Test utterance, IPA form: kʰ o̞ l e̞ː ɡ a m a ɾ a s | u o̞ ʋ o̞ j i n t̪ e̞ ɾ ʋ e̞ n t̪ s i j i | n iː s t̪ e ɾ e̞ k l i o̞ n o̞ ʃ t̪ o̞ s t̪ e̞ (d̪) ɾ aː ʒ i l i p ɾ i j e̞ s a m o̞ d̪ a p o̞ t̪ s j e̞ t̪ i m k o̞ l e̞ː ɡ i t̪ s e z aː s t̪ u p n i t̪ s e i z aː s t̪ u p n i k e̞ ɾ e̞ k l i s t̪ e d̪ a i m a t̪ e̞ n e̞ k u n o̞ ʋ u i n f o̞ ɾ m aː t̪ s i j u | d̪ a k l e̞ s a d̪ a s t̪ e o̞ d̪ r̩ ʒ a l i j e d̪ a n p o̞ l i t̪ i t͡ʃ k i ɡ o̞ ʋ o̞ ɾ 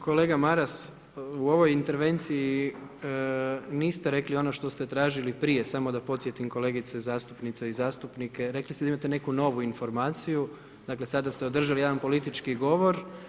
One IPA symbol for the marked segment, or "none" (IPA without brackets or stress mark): t̪